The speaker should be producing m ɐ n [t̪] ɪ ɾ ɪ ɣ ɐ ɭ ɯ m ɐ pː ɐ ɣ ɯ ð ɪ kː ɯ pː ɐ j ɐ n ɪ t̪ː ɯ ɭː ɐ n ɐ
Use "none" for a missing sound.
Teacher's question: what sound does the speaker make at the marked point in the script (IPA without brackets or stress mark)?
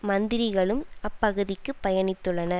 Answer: d̪